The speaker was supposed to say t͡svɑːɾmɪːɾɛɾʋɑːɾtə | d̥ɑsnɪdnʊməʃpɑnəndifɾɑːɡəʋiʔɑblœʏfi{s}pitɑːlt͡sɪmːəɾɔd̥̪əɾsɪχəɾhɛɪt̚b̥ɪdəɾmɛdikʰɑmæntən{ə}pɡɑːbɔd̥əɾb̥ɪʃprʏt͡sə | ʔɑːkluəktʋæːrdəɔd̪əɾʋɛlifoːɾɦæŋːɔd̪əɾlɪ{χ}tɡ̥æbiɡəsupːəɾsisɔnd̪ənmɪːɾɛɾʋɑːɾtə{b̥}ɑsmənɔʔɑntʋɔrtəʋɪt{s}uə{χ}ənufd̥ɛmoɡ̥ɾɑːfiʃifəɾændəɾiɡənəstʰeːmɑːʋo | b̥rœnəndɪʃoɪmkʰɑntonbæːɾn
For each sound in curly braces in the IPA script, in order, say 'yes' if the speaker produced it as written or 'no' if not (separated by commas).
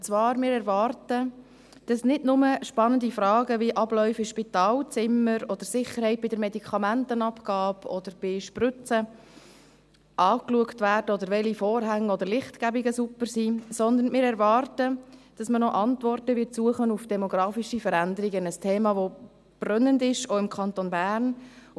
no, no, yes, no, yes, yes